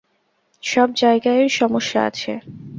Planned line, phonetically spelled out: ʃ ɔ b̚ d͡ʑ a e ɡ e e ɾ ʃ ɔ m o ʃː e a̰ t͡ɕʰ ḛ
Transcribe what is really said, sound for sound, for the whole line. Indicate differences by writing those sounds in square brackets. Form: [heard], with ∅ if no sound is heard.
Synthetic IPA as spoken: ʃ ɔ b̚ d͡ʑ a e ɡ [a] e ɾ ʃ ɔ m o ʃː [a] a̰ t͡ɕʰ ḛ